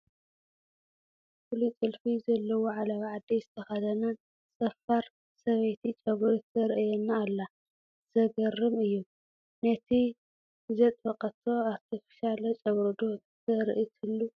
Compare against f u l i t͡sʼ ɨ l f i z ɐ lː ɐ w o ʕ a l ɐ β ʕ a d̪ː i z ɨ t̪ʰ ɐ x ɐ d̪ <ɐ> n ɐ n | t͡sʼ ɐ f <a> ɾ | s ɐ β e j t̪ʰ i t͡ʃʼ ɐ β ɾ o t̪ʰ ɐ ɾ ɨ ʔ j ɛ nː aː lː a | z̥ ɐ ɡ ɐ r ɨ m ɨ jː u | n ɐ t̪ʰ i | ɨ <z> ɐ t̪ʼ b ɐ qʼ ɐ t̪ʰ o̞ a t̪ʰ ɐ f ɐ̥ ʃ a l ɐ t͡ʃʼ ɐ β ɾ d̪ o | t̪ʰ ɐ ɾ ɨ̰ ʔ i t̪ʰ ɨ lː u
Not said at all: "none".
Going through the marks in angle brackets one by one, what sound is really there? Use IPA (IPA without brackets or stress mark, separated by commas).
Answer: ɐ, a, z